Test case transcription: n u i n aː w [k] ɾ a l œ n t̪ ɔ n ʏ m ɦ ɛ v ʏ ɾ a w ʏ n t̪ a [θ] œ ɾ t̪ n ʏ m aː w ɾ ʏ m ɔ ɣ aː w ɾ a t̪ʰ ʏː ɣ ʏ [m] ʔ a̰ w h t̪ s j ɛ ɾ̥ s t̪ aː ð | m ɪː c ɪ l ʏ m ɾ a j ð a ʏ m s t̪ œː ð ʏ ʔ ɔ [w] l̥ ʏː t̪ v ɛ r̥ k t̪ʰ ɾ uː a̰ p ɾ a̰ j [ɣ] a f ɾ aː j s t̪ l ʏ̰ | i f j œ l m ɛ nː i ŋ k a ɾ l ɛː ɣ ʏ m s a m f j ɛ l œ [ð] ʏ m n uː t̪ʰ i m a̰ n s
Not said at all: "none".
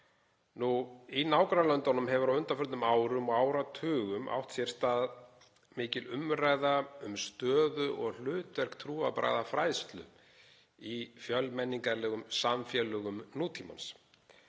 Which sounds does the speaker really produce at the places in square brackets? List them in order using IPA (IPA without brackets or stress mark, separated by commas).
k, f, m, ɣ, ð, ɣ